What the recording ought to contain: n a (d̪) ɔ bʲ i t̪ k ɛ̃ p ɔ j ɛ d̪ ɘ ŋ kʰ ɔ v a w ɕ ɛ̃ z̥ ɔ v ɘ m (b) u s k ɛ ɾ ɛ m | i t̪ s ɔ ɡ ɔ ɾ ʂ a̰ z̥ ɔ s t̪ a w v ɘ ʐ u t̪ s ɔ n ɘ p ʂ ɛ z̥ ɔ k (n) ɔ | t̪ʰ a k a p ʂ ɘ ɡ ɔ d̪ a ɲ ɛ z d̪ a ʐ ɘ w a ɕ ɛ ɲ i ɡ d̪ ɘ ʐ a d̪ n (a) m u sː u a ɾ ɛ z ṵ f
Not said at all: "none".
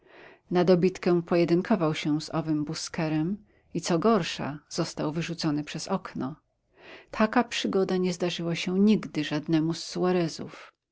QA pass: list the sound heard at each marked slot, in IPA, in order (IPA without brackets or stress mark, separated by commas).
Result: d̪, b, n, ɛ